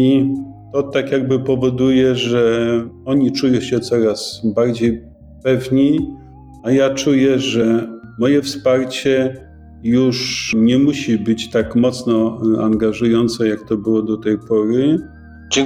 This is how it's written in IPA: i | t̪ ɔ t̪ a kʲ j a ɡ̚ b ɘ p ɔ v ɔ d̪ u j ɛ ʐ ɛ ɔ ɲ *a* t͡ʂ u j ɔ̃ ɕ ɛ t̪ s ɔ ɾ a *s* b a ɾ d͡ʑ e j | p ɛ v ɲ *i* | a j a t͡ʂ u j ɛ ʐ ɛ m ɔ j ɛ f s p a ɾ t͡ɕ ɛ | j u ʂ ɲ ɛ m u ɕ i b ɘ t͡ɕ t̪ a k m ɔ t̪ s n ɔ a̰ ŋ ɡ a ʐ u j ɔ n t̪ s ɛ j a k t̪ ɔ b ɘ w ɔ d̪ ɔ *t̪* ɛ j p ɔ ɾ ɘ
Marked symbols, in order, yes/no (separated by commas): no, yes, yes, yes